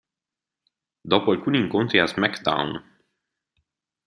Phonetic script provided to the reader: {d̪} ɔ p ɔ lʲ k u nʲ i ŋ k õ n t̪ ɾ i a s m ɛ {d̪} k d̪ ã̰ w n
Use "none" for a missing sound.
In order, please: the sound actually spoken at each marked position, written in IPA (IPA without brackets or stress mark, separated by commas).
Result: d̪, none